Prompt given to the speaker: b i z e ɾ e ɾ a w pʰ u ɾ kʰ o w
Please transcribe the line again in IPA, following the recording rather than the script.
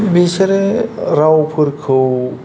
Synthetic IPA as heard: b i s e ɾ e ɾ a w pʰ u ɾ kʰ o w

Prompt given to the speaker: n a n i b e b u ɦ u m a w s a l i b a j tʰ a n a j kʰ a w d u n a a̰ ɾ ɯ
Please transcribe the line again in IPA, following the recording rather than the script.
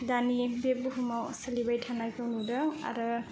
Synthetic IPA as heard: d a n i b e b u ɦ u m a w s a l i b a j tʰ a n a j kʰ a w n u d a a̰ ɾ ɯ

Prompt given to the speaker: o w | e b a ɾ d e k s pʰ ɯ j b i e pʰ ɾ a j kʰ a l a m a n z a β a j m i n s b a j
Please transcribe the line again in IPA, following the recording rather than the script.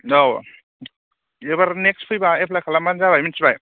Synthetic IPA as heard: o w | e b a ɾ n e k s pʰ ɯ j b a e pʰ l a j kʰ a l a m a n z a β a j m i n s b a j

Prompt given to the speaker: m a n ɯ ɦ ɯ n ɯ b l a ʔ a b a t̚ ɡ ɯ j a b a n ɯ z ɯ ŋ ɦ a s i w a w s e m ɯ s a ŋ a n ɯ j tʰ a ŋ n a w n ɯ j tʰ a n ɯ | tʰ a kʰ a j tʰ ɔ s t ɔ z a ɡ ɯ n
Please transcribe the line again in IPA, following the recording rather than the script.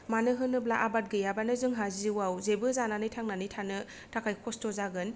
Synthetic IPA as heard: m a n ɯ ɦ ɯ n ɯ b l a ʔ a b a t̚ ɡ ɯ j a b a n ɯ z ɯ ŋ ɦ a z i w a w z e b ɯ z a n a n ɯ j tʰ a ŋ n a n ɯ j tʰ a n ɯ | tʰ a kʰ a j kʰ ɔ s t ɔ z a ɡ ɯ n

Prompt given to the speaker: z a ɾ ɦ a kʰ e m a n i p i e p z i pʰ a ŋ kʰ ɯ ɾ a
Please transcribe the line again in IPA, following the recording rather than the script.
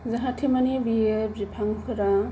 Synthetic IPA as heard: z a ɦ a tʰ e m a n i b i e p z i pʰ a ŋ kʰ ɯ ɾ a

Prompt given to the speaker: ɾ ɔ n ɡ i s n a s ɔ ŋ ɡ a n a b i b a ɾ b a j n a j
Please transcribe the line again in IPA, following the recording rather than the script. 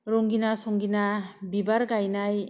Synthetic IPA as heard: ɾ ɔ ŋ ɡ i n a s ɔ ŋ ɡ i n a b i b a ɾ ɡ a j n a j

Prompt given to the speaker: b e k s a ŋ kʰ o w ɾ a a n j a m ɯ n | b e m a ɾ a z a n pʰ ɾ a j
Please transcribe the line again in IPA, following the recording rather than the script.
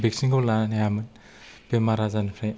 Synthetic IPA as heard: b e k s i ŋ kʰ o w l a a n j a m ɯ n | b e m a ɾ a z a n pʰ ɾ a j

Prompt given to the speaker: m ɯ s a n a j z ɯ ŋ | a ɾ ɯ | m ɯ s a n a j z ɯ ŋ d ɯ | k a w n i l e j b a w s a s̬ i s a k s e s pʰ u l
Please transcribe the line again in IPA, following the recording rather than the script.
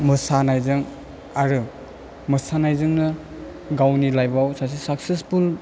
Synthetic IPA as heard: m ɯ s a n a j z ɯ ŋ | a ɾ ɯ | m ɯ s a n a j z ɯ ŋ n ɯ | ɡ a w n i l a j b a w s a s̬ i s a k s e s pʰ u l

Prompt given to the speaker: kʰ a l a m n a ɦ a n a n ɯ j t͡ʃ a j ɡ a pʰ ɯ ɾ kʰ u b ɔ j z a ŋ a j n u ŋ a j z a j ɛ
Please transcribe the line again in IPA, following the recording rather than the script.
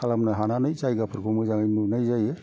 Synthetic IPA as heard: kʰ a l a m n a ɦ a n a n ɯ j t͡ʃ a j ɡ a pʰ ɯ ɾ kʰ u m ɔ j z a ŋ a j n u n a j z a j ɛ

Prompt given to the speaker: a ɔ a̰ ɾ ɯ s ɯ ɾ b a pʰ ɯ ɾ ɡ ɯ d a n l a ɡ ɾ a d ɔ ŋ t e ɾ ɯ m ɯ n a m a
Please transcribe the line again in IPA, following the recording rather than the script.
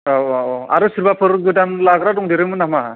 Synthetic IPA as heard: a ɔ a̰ ɾ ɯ s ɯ ɾ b a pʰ ɯ ɾ ɡ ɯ d a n l a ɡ ɾ a d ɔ ŋ d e ɾ ɯ m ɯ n a m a

